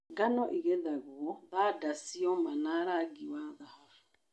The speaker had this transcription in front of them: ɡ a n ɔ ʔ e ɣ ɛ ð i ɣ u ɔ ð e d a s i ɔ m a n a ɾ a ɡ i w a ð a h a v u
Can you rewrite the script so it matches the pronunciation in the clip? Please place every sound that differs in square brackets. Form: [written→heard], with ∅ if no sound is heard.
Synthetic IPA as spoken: ɡ a n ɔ ʔ [e→i] ɣ ɛ ð [i→a] ɣ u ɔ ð [e→a] d a s i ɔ m a n a ɾ a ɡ i w a ð a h a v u